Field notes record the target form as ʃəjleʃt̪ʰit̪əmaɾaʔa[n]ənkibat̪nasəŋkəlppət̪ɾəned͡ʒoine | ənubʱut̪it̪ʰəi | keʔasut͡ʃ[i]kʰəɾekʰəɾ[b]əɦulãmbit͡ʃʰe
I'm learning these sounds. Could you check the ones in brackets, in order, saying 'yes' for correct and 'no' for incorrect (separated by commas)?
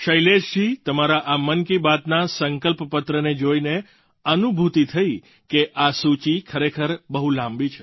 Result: no, yes, yes